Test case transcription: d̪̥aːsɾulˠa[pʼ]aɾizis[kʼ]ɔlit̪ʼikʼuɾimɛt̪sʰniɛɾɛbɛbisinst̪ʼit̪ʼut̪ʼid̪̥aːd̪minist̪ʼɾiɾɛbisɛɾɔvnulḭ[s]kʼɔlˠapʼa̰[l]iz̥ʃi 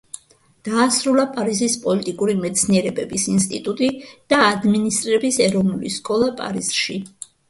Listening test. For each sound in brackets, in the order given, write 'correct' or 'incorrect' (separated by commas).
correct, incorrect, correct, incorrect